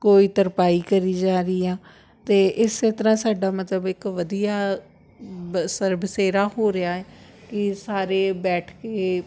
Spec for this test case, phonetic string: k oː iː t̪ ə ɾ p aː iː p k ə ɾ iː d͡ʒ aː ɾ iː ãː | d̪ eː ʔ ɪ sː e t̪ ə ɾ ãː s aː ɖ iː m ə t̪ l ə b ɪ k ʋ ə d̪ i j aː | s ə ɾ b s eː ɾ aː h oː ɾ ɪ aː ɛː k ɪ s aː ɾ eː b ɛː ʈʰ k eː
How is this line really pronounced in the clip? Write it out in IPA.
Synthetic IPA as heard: k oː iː t̪ ə ɾ p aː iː k ə ɾ iː d͡ʒ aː ɾ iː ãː | t̪ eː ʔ ɪ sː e t̪ ə ɾ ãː s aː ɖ aː m ə t̪ l ə b ɪ k ʋ ə d̪ i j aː | s ə ɾ b s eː ɾ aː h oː ɾ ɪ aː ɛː k ɪ s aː ɾ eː b ɛː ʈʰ k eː